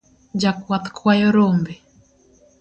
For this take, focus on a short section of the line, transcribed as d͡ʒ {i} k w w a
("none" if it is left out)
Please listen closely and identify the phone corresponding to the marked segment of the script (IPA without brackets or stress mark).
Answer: a